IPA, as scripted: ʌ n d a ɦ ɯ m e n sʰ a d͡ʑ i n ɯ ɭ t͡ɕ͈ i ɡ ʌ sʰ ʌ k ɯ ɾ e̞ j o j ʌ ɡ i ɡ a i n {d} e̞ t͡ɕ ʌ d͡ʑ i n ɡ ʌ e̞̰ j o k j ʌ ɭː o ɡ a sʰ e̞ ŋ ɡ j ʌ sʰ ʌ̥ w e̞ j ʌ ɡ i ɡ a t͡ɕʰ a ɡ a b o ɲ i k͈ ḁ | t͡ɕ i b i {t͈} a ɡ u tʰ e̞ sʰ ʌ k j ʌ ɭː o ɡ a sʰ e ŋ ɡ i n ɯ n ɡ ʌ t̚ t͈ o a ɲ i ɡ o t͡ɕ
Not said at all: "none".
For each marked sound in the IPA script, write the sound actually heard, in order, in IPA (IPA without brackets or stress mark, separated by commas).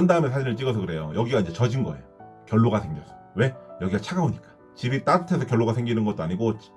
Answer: d͡ʑ, t͈